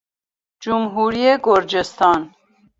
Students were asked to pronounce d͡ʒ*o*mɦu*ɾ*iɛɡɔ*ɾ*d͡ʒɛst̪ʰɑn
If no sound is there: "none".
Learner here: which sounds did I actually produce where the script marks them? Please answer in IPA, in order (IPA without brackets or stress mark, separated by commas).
u, ɾ, ɾ